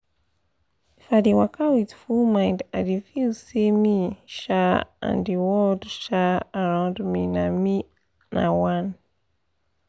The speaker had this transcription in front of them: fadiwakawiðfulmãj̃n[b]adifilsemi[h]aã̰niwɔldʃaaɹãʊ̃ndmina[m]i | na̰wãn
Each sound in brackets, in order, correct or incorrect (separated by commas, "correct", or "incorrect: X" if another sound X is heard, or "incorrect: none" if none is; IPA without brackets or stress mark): incorrect: d, incorrect: ʃ, correct